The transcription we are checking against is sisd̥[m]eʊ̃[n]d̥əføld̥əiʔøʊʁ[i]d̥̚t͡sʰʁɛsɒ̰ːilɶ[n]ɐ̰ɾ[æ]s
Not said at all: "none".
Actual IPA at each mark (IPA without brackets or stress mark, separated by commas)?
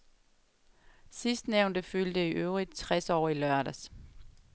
n, n, i, none, æ